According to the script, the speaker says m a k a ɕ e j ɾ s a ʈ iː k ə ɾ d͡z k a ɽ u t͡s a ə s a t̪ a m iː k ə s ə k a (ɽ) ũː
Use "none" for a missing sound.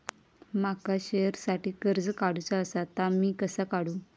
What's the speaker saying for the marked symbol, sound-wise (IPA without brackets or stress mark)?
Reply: ɽ